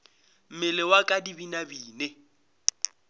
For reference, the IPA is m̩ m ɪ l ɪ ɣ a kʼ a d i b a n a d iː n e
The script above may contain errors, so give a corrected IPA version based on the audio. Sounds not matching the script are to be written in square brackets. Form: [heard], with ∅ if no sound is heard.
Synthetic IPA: m̩ m ɪ l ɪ [w] a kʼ a d i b [i] n a [b] iː n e